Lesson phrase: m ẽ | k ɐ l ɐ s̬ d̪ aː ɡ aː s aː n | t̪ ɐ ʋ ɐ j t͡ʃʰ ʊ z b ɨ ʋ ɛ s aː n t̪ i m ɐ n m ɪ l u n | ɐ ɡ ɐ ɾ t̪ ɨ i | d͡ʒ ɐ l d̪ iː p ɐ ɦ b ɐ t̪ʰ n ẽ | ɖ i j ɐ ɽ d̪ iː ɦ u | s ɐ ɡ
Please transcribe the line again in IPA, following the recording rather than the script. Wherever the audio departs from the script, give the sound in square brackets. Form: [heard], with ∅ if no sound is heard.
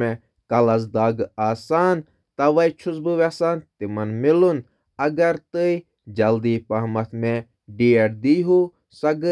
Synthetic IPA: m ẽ | k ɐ l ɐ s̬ d̪ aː ɡ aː s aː n | t̪ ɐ ʋ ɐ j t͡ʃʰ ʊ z b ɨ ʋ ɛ s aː n t̪ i m ɐ n m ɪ l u n | ɐ ɡ ɐ ɾ t̪ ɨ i | d͡ʒ ɐ l d̪ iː p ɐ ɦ [m] ɐ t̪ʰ [m] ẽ | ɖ i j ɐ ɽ d̪ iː ɦ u | s ɐ ɡ